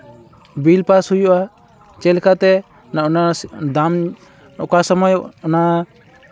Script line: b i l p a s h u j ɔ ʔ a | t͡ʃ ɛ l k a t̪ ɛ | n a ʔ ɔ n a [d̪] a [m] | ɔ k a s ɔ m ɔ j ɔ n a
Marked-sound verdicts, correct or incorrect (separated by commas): correct, correct